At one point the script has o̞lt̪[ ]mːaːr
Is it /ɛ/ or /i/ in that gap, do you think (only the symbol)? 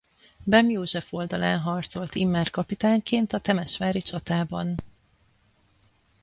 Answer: i